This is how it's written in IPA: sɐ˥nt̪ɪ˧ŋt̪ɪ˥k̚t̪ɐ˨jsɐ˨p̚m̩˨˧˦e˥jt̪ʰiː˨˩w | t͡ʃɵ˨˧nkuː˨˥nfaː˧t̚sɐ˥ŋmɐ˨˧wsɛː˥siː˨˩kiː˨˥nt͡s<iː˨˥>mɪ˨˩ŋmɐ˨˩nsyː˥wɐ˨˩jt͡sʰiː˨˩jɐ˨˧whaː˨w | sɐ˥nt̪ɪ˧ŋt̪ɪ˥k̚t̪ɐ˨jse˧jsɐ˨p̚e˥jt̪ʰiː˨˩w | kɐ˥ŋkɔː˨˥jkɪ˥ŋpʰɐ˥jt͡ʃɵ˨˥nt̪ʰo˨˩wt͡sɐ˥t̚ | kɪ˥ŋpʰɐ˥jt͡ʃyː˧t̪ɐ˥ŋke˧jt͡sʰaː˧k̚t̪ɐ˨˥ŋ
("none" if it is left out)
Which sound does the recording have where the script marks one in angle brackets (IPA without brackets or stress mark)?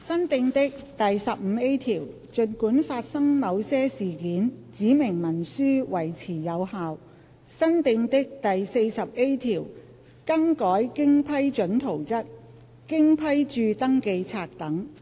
iː˨˥